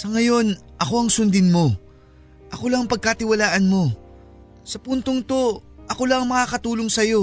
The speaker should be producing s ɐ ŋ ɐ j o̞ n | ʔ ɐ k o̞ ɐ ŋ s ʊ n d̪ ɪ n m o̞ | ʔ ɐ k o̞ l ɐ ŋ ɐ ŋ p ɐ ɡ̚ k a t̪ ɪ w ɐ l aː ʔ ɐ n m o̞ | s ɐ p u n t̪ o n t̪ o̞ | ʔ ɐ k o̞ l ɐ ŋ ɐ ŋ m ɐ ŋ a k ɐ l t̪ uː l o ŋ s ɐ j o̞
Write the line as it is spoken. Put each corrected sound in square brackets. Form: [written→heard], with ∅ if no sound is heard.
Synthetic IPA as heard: s ɐ ŋ ɐ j o̞ n | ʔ ɐ k o̞ ɐ ŋ s ʊ n d̪ ɪ n m o̞ | ʔ ɐ k o̞ l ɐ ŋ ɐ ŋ p ɐ ɡ̚ k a t̪ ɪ w ɐ l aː ʔ ɐ n m o̞ | s ɐ p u n t̪ o [n→ŋ] t̪ o̞ | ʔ ɐ k o̞ l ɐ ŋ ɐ ŋ m ɐ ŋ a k ɐ [l→∅] t̪ uː l o ŋ s ɐ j o̞